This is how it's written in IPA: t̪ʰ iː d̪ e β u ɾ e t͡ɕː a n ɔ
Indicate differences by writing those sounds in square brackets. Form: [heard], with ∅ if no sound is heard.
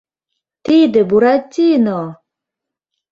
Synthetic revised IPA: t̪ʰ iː d̪ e [b] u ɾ [a] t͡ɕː [i] n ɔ